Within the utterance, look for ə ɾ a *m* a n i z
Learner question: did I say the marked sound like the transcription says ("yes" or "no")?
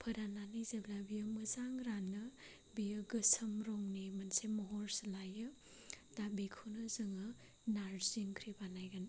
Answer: no